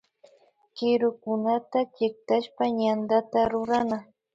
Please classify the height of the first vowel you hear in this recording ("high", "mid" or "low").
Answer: high